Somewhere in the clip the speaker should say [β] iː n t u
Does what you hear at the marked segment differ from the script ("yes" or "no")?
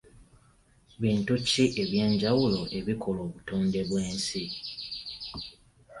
no